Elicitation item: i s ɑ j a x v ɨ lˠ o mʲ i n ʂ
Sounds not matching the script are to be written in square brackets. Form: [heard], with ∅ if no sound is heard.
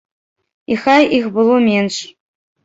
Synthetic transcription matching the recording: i [x] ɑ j [i] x [b] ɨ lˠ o mʲ [e] n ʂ